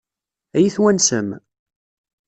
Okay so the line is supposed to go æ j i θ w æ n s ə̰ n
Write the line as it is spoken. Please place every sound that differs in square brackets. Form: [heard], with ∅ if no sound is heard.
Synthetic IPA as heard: æ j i θ w æ n s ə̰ [m]